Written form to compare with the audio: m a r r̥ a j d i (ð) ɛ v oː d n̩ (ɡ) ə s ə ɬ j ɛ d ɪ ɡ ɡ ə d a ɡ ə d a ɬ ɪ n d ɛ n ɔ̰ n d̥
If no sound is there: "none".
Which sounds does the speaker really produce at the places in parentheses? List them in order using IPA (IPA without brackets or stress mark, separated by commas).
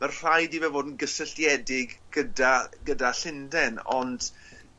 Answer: v, ɡ